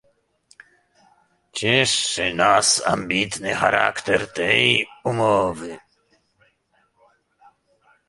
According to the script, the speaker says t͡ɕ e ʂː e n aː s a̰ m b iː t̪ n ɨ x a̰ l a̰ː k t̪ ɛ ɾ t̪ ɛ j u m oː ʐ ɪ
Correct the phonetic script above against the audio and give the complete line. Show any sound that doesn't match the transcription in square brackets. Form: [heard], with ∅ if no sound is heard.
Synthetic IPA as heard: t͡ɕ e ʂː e n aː s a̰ m b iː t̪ n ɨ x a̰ [ɾ] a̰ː k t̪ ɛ ɾ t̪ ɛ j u m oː [v] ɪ